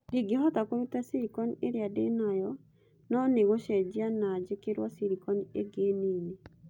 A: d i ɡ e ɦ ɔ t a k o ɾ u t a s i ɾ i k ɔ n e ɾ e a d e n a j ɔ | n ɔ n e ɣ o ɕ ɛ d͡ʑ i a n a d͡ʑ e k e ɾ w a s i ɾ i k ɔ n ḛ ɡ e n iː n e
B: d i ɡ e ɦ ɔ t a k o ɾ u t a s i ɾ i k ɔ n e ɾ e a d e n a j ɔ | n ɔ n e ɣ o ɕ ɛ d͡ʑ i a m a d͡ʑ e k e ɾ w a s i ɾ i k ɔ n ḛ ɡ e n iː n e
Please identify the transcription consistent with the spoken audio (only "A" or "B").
A